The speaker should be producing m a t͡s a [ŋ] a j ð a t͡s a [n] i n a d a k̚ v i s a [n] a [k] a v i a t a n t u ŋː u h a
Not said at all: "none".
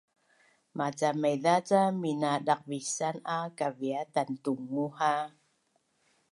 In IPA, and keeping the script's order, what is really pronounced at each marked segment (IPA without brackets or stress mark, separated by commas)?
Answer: m, m, n, k